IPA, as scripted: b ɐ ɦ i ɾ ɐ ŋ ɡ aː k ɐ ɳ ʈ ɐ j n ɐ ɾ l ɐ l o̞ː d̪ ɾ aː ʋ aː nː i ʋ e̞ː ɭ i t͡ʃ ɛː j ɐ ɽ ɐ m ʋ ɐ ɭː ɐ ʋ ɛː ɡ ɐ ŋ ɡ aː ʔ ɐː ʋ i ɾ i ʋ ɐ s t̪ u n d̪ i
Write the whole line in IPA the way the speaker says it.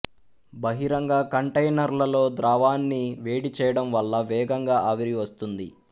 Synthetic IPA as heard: b ɐ ɦ i ɾ ɐ ŋ ɡ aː k ɐ ɳ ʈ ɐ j n ɐ ɾ l ɐ l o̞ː d̪ ɾ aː ʋ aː nː i ʋ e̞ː ɽ i t͡ʃ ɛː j ɐ ɽ ɐ m ʋ ɐ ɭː ɐ ʋ ɛː ɡ ɐ ŋ ɡ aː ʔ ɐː ʋ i ɾ i ʋ ɐ s t̪ u n d̪ i